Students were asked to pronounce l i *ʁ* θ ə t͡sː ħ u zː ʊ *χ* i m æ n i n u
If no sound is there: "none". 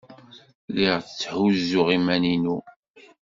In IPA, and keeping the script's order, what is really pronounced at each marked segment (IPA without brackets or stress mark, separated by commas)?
ʁ, ʁ